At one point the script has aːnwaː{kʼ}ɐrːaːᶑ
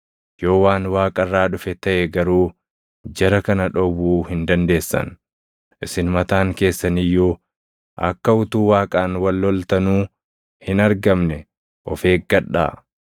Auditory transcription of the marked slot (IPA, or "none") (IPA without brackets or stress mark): kʼ